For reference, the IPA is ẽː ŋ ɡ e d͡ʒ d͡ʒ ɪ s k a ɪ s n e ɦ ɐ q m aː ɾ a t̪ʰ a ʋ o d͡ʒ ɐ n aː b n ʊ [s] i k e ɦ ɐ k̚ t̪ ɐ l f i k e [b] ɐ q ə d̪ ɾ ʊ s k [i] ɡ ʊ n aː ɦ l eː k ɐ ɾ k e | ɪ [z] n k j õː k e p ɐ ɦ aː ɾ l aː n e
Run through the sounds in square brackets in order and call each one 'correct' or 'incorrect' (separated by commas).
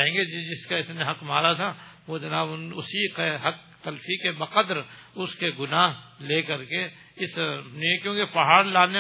correct, correct, incorrect, incorrect